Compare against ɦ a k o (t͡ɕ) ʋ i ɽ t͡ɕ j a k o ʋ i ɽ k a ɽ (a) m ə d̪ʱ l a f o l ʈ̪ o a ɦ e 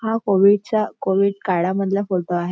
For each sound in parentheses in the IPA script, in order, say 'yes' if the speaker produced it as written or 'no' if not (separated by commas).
no, yes